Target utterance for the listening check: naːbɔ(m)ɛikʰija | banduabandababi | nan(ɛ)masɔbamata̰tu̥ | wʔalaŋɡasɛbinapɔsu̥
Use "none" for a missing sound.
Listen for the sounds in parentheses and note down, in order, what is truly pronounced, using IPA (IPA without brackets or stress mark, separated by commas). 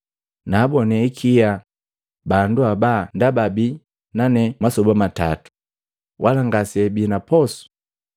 n, ɛ